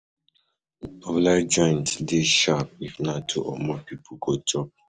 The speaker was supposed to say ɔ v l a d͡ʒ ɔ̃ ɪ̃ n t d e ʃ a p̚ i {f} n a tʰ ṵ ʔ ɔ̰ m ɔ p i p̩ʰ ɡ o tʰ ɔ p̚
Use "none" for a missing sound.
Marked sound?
f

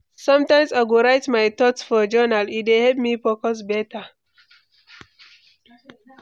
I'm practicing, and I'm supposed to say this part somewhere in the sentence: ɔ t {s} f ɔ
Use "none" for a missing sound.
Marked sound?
s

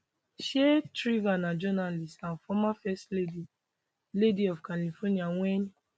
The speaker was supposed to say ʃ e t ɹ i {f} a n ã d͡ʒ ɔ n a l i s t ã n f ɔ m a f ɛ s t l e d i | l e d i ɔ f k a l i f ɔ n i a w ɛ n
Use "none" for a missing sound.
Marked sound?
v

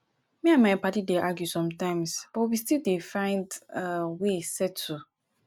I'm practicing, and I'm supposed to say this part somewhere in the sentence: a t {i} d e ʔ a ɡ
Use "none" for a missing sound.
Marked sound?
i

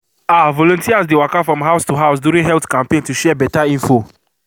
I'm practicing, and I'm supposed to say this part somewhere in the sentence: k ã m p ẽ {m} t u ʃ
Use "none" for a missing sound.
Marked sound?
n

